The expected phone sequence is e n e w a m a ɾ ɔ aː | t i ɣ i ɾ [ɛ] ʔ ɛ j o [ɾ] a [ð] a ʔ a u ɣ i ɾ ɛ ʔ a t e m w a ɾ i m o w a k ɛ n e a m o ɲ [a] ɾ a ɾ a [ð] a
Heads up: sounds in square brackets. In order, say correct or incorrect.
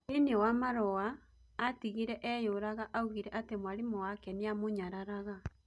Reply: correct, correct, incorrect, correct, incorrect

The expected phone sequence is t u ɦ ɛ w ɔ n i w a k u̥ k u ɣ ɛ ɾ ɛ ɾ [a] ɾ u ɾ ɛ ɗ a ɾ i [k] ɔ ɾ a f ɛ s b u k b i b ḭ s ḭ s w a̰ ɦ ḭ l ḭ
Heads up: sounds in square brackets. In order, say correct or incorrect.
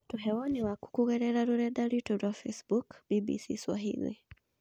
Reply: correct, incorrect

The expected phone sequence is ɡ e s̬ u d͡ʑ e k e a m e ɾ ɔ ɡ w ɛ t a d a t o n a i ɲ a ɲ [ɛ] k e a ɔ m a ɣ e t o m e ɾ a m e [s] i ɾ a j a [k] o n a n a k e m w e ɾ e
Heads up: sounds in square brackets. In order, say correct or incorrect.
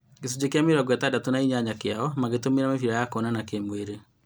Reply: incorrect, incorrect, correct

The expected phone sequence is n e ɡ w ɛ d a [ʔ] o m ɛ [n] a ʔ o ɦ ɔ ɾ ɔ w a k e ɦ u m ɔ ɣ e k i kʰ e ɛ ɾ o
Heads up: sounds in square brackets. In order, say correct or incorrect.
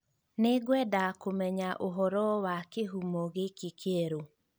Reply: incorrect, incorrect

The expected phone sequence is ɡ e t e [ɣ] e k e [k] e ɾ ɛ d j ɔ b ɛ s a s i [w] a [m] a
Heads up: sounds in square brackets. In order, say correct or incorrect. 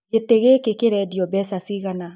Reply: correct, correct, incorrect, incorrect

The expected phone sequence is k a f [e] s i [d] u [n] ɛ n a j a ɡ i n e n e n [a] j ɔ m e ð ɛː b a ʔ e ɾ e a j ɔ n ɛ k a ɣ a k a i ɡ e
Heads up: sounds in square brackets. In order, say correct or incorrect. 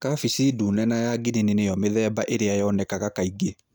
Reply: incorrect, correct, correct, incorrect

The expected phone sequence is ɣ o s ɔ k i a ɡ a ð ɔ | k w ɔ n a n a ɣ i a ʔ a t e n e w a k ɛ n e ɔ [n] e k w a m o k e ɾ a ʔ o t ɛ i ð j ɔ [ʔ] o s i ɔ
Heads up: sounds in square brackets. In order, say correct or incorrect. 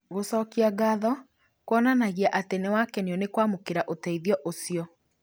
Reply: correct, correct

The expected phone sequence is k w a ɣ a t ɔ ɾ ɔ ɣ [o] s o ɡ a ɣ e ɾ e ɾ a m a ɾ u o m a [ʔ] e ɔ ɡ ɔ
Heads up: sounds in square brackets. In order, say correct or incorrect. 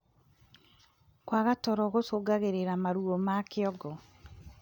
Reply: correct, incorrect

